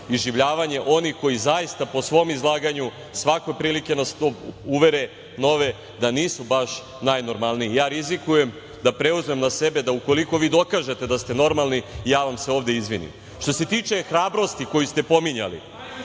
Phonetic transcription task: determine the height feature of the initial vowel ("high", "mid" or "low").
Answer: high